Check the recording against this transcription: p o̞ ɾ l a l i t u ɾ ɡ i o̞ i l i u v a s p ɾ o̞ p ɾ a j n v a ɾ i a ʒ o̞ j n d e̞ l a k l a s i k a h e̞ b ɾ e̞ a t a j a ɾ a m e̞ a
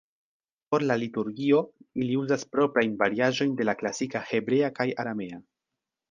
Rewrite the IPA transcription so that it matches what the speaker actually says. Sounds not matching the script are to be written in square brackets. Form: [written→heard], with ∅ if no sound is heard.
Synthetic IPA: p o̞ ɾ l a l i t u ɾ ɡ i o̞ i l i u [v→z] a s p ɾ o̞ p ɾ a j n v a ɾ i a ʒ o̞ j n d e̞ l a k l a s i k a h e̞ b ɾ e̞ a [t→k] a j a ɾ a m e̞ a